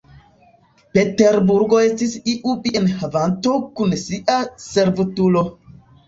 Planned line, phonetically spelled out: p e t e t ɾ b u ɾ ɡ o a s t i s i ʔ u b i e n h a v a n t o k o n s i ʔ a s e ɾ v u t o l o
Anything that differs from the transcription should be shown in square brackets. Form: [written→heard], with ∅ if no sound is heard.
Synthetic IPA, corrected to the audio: p e t e [t→∅] ɾ b u ɾ ɡ o [a→e] s t i s i ʔ u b i e n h a v a n t o k [o→u] n s i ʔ a s e ɾ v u t [o→u] l o